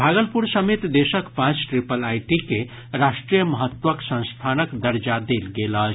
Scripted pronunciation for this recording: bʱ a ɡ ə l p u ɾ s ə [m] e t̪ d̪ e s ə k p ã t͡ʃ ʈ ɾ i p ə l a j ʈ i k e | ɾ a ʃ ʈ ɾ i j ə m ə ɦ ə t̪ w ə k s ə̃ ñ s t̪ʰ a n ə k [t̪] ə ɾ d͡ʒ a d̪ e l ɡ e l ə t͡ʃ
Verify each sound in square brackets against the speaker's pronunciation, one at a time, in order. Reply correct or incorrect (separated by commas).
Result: correct, incorrect